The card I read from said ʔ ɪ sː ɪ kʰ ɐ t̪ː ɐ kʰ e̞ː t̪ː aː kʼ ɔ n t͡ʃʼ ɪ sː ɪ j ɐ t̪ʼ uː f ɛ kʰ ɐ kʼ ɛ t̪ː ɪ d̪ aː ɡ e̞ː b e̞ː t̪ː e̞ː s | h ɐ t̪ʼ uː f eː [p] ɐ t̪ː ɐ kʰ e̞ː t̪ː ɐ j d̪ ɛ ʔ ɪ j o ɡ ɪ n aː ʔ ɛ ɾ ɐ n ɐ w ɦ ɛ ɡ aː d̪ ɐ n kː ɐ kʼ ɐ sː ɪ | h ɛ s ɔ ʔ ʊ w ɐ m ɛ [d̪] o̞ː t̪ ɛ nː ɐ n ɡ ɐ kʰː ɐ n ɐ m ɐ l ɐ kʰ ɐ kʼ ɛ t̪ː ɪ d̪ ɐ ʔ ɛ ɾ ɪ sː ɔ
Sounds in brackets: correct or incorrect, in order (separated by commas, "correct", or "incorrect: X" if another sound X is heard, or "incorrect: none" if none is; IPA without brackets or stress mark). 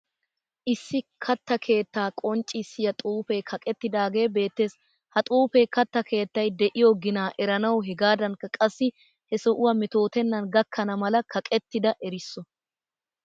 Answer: incorrect: k, incorrect: t̪